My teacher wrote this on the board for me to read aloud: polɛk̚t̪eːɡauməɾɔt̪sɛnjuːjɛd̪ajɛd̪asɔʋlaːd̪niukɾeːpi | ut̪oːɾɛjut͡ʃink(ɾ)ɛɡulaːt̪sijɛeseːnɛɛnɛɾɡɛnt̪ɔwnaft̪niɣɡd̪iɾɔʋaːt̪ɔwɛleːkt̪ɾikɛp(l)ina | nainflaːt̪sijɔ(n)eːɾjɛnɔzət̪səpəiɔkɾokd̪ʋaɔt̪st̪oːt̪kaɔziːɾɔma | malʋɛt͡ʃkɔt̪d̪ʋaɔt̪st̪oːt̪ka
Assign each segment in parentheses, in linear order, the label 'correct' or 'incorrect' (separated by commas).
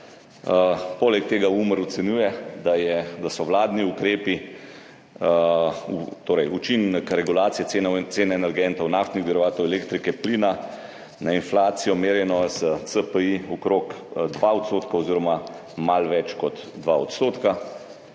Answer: correct, correct, incorrect